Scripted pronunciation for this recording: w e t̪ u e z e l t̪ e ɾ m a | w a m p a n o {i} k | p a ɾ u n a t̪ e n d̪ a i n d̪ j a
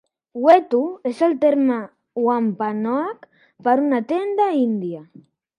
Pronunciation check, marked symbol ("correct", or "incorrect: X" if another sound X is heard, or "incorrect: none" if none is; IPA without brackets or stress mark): incorrect: a